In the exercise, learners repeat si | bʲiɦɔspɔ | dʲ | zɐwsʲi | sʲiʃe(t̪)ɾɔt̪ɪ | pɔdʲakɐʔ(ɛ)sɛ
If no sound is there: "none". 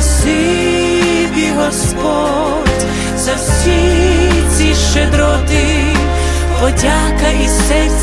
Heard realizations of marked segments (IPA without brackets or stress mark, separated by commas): d̪, i